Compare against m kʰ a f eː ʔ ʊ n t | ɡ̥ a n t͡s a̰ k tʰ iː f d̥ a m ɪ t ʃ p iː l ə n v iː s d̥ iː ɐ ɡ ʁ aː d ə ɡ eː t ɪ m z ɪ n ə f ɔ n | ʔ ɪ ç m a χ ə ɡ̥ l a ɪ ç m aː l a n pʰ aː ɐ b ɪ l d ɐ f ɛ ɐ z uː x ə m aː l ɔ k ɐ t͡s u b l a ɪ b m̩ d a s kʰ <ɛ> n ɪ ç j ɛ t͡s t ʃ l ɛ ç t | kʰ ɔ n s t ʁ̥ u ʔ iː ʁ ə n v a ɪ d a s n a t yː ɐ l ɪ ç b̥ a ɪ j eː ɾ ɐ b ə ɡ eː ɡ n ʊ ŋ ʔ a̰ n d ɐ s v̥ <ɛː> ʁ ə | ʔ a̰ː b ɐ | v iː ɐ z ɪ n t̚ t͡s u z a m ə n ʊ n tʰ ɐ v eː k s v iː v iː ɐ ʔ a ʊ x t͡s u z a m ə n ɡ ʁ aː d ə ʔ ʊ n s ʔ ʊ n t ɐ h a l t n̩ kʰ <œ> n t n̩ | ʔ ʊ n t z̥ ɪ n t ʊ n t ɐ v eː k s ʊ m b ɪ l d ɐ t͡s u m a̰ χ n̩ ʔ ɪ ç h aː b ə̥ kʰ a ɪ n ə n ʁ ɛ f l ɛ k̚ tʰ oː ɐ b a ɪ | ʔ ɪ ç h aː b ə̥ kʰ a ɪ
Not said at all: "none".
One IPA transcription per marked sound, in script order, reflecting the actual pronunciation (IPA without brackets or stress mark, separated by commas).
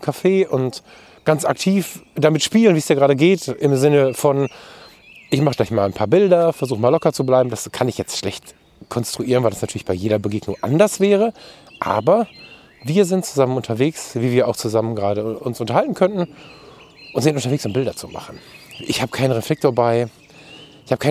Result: a, ɛː, œ